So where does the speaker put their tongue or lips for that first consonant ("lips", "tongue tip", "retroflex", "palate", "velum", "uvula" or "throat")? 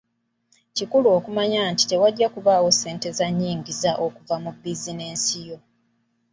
palate